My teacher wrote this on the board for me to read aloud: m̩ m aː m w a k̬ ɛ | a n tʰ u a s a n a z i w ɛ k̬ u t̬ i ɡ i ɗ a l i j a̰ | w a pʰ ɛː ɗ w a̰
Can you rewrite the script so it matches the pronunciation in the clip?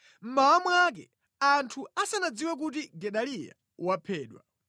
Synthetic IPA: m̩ m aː m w a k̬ ɛ | a n tʰ u a s a n a d͡z i w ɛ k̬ u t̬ i ɡ ɛ ɗ a l i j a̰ | w a pʰ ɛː ɗ w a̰